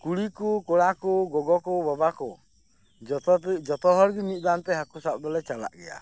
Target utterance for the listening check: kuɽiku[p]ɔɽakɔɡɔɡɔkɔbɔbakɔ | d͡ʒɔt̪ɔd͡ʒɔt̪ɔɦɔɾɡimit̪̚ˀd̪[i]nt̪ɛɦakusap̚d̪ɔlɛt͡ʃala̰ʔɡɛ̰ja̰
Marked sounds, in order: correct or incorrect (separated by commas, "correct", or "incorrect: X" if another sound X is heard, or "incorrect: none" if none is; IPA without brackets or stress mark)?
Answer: incorrect: k, incorrect: a